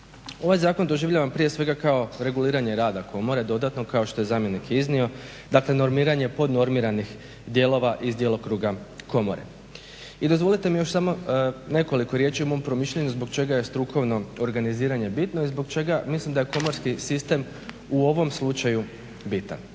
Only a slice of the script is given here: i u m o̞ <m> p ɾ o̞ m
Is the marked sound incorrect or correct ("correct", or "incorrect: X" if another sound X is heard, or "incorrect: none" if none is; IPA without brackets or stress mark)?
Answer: correct